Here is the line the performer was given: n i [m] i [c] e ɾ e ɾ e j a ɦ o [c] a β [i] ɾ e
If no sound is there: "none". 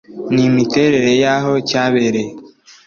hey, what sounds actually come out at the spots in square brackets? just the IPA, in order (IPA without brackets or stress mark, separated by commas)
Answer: m, t, c, e